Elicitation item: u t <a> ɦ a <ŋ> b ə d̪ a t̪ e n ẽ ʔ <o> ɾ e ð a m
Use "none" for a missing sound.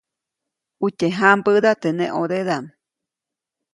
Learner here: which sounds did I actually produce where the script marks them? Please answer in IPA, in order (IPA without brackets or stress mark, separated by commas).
e, m, o